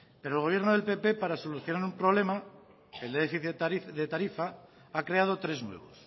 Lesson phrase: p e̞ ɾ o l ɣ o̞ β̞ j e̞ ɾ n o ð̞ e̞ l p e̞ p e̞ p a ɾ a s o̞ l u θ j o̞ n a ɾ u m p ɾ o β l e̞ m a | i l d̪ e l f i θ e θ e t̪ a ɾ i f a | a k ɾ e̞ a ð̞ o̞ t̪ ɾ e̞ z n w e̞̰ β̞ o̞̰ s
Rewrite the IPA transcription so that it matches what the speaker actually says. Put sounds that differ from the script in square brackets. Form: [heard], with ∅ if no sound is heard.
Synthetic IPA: p e̞ ɾ o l ɣ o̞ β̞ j e̞ ɾ n o ð̞ e̞ l p e̞ p e̞ p a ɾ a s o̞ l u θ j o̞ n a ɾ u m p ɾ o β l e̞ m a | [e] l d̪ e [∅] f i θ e [ð] e t̪ a ɾ i f a | a k ɾ e̞ a ð̞ o̞ t̪ ɾ e̞ z n w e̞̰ β̞ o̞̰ s